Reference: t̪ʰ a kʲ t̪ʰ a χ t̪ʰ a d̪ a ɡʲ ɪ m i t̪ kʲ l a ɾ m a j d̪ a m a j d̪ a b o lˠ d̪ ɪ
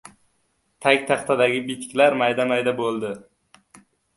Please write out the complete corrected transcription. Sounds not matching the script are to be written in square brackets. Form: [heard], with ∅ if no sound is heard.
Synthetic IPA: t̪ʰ a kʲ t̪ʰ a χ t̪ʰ a d̪ a ɡʲ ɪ [b] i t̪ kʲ l a ɾ m a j d̪ a m a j d̪ a b o lˠ d̪ ɪ